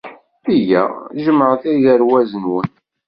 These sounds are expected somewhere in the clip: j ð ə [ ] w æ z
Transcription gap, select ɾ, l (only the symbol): ɾ